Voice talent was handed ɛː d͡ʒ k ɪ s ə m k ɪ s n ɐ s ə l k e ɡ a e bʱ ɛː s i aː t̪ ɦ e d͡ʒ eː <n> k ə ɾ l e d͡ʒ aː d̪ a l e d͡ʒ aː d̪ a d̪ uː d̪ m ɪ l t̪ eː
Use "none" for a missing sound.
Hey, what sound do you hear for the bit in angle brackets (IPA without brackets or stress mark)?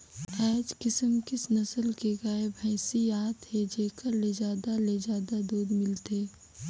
none